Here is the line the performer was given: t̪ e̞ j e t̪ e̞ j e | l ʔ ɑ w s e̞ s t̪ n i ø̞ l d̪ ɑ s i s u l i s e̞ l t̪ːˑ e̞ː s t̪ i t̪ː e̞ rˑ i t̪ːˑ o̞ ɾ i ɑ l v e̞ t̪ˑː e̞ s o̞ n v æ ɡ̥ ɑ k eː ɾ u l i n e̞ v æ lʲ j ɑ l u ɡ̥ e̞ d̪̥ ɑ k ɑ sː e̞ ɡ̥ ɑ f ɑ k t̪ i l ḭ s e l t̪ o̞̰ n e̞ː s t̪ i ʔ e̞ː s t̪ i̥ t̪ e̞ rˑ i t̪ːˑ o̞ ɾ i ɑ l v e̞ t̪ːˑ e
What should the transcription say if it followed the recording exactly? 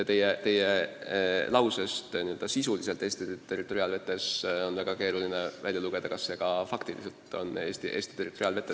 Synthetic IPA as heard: t̪ e̞ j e t̪ e̞ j e | l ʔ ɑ w s e̞ s t̪ n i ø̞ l d̪ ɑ s i s u l i s e̞ l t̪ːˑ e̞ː s t̪ i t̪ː e̞ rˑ i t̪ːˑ o̞ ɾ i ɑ l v e̞ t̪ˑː e̞ s o̞ n v æ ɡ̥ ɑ k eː ɾ u l i n e̞ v æ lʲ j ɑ l u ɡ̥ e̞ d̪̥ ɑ k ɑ sː e̞ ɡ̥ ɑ f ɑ k t̪ i l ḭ s e l t̪ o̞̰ n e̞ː s t̪ i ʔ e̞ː s t̪ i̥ t̪ e̞ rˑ i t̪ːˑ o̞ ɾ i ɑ l v e̞ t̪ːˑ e